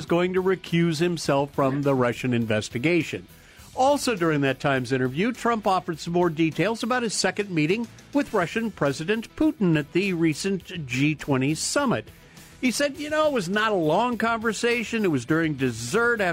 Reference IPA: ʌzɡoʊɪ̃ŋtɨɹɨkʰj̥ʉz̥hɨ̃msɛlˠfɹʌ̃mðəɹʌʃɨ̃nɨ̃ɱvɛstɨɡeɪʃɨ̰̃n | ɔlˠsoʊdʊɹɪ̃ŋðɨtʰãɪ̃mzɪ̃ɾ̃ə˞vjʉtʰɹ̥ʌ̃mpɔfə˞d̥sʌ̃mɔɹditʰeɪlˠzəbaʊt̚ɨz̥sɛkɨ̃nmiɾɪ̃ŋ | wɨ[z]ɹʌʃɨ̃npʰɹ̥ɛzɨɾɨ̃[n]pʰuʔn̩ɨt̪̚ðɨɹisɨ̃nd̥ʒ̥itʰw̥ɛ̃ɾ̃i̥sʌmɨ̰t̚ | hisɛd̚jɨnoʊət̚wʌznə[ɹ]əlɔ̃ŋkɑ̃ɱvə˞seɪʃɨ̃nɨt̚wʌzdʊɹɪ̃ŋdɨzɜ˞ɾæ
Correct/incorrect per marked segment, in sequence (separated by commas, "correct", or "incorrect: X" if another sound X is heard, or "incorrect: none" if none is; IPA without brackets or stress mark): incorrect: ð, correct, incorrect: ɾ